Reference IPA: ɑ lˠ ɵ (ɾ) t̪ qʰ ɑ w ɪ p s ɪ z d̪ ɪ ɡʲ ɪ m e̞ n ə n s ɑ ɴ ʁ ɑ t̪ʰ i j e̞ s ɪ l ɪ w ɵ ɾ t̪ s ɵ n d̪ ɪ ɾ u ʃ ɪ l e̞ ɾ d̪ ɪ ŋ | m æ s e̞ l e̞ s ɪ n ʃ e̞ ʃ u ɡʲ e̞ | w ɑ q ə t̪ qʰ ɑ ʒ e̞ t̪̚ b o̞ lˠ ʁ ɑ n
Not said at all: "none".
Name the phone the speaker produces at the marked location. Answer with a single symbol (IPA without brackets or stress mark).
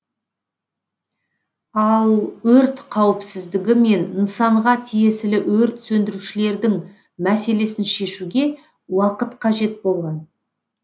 ɾ